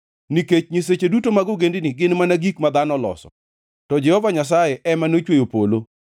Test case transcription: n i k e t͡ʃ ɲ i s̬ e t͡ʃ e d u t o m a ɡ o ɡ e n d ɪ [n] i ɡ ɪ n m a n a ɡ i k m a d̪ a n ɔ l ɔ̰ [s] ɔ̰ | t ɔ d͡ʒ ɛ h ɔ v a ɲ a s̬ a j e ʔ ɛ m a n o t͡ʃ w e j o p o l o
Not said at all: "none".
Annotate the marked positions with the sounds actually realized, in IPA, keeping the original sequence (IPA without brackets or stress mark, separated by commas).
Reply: n, s